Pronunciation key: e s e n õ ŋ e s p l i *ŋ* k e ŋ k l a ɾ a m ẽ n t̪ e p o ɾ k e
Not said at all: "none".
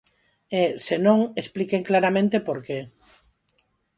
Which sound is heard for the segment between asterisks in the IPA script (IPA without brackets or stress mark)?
none